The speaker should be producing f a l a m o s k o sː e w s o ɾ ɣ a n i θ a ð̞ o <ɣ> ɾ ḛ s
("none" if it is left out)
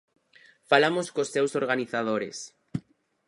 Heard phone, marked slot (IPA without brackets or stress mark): none